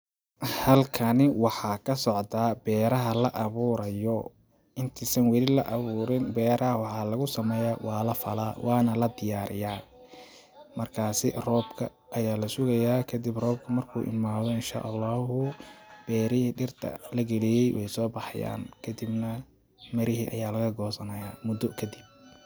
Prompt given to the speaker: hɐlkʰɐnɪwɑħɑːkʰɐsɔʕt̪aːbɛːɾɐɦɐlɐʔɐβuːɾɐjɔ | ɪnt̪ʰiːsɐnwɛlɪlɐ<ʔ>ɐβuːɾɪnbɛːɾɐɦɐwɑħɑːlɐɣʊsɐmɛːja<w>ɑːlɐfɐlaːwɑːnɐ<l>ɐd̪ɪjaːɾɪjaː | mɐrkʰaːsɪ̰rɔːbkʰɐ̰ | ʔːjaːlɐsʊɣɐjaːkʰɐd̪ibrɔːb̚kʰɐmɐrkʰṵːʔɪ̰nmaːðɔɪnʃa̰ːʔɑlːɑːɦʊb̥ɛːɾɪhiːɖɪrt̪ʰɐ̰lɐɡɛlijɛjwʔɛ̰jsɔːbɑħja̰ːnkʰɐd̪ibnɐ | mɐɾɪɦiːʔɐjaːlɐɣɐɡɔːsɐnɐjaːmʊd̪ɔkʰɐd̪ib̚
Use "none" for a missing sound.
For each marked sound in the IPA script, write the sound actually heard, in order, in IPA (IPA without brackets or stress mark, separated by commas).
ʔ, w, l